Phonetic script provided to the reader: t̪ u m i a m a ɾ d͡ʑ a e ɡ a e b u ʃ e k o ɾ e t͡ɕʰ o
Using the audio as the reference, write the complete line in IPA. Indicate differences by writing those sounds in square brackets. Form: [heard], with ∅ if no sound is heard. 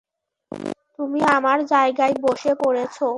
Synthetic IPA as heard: t̪ u m i a m a ɾ d͡ʑ a e ɡ a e b [o] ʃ e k o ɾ e t͡ɕʰ o